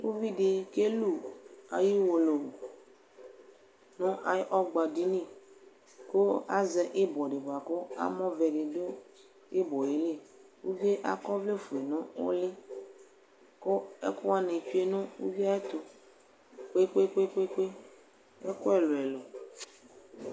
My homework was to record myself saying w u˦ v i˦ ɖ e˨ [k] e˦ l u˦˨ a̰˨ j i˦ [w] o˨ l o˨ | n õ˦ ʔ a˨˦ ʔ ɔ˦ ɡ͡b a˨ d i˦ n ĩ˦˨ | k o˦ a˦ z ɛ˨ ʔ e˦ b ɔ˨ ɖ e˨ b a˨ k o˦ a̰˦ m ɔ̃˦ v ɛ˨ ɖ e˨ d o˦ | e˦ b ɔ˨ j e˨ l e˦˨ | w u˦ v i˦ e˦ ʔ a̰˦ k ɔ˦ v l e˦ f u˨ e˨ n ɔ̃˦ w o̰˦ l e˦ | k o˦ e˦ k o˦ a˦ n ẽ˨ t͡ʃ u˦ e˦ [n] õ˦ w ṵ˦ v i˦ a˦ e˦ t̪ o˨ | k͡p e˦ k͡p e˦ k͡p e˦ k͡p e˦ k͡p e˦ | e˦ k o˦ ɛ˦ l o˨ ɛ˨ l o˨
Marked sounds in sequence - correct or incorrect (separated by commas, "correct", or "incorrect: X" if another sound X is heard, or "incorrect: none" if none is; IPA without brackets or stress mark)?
correct, correct, correct